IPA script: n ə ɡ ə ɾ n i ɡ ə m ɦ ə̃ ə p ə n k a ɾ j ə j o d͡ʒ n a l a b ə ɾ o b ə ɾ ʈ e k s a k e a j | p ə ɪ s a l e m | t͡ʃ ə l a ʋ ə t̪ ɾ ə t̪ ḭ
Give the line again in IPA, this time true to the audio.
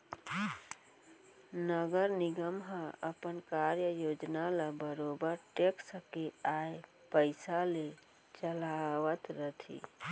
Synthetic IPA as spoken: n ə ɡ ə ɾ n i ɡ ə m ɦ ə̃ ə p ə n k a ɾ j ə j o d͡ʒ n a l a b ə ɾ o b ə ɾ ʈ e k s ə k e a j | p ə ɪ s a l e | t͡ʃ ə l a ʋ ə t̪ ɾ ə t̪ʰ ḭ